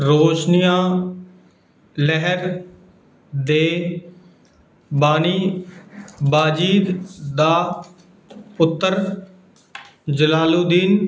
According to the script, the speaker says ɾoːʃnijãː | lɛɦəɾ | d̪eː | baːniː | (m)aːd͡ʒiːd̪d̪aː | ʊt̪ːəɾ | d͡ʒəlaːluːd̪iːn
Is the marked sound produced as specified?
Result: no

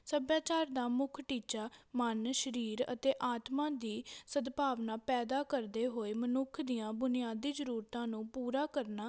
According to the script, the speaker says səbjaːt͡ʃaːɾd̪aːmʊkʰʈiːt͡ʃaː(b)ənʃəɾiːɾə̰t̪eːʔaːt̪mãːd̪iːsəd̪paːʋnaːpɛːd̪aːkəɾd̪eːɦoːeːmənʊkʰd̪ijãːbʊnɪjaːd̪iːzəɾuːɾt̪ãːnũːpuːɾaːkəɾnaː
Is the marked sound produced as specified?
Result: no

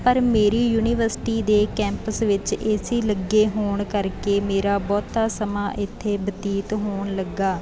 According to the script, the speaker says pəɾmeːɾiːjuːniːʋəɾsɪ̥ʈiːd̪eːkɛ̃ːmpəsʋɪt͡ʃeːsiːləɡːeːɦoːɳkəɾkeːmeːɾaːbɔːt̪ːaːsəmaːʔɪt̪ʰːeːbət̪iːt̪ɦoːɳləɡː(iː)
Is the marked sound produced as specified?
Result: no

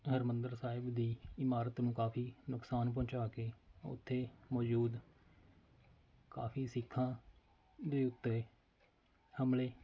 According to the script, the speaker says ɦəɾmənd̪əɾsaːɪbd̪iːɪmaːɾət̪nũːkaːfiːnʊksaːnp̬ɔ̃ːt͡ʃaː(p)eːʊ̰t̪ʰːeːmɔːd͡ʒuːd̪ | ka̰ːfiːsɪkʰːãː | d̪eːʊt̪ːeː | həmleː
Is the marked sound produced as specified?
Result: no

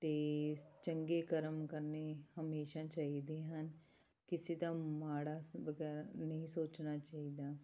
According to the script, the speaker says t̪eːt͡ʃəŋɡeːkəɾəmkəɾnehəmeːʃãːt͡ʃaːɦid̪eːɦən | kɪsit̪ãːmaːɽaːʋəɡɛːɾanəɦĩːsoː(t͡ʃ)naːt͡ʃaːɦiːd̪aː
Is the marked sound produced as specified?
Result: yes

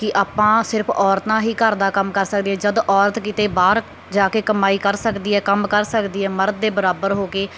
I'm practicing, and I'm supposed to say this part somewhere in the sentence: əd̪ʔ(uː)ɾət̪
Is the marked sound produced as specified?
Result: no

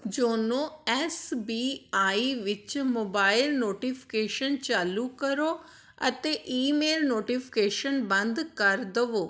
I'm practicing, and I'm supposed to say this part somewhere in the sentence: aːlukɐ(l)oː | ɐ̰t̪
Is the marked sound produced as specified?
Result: no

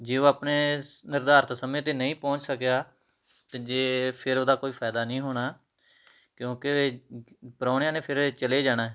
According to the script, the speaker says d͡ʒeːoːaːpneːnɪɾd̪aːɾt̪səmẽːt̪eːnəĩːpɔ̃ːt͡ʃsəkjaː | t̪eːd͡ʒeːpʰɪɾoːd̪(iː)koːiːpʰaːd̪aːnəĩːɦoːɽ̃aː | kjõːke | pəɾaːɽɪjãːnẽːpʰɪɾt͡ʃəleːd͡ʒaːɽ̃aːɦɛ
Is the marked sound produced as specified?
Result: no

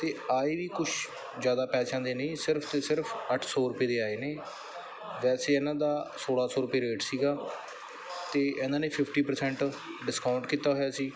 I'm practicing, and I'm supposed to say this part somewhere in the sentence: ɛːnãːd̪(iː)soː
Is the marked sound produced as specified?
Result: no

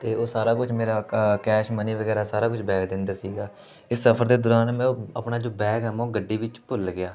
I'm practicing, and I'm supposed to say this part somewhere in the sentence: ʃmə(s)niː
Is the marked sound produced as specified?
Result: no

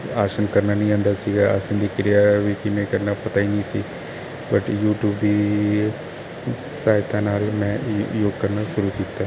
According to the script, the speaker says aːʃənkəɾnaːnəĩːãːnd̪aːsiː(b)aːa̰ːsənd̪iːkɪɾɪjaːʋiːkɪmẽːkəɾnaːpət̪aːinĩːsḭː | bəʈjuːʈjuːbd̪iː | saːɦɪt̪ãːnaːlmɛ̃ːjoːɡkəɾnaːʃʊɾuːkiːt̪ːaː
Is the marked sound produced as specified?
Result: no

